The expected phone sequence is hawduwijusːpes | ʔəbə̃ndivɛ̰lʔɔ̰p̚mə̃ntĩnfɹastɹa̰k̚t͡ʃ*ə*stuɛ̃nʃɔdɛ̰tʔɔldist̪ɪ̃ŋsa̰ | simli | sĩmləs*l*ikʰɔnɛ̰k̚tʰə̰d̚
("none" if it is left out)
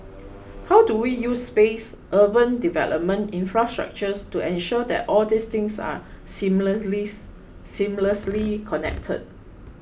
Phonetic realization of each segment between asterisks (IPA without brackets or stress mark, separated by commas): ə, l